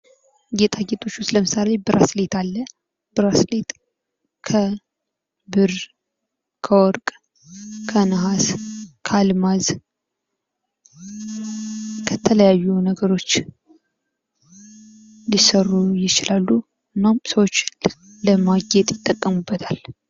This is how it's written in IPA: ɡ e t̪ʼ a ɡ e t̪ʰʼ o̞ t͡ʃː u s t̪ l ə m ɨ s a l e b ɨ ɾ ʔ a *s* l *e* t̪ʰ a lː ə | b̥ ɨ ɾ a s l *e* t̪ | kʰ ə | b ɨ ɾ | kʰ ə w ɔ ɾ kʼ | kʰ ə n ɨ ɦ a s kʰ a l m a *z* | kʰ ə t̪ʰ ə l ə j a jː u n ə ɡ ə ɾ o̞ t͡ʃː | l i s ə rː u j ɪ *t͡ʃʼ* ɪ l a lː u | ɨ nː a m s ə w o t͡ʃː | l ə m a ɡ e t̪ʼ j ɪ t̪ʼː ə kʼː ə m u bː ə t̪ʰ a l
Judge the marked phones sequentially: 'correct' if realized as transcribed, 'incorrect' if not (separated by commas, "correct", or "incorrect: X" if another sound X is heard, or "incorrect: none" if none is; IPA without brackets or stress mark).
correct, correct, correct, correct, incorrect: t͡ʃ